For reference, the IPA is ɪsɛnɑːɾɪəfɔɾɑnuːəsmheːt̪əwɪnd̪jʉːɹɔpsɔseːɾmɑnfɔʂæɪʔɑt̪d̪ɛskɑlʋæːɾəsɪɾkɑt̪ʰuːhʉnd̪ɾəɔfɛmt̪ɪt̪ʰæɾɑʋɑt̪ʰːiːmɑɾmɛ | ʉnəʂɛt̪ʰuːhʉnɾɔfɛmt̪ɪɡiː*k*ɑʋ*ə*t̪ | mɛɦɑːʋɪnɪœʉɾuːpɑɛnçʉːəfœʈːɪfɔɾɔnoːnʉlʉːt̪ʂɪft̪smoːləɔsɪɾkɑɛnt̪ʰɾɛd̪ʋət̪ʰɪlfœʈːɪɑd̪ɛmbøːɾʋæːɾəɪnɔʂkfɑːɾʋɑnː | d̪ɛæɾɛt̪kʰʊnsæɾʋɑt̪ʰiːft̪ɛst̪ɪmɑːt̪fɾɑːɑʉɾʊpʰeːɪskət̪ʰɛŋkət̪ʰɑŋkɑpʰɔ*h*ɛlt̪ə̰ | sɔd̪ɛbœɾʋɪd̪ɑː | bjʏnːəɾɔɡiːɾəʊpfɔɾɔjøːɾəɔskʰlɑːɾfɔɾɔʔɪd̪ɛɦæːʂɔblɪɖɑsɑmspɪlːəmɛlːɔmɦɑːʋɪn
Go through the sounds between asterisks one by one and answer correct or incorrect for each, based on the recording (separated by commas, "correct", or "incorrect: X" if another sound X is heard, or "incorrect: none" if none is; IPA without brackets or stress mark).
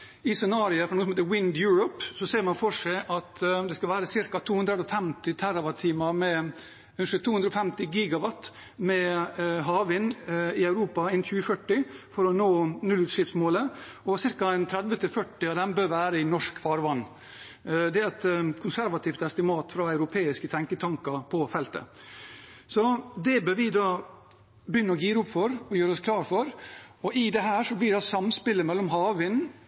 incorrect: ɡ, incorrect: ɑ, incorrect: f